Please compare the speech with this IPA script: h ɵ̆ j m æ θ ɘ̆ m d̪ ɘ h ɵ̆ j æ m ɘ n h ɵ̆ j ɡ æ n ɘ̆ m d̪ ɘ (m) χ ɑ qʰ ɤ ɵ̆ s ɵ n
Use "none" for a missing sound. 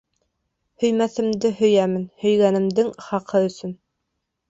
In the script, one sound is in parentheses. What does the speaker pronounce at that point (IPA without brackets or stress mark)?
ŋ